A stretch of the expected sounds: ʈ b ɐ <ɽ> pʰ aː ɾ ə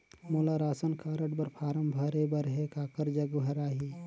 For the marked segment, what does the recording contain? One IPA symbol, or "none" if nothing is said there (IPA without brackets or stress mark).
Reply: ɾ